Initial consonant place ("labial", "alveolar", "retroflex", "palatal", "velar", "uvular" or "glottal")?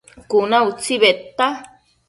velar